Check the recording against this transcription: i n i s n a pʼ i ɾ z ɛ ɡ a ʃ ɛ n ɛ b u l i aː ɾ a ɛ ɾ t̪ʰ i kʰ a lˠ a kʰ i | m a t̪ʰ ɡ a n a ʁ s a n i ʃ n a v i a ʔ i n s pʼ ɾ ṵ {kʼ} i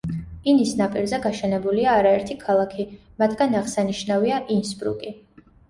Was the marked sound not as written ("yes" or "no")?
no